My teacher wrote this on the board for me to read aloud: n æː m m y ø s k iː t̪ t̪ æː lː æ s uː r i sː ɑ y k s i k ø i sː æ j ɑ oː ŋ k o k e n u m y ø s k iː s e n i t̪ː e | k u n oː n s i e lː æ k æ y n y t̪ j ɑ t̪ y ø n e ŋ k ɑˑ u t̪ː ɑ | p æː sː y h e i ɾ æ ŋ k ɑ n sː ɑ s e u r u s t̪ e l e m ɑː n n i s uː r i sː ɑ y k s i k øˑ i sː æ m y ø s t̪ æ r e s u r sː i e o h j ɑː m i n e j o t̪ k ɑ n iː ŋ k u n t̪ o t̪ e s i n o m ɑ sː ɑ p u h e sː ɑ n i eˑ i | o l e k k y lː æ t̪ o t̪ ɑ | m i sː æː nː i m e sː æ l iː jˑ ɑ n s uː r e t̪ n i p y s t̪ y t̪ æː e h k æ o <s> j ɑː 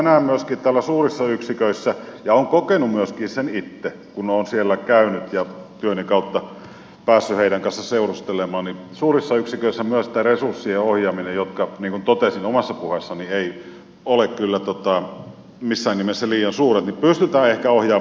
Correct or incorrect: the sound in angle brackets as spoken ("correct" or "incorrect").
incorrect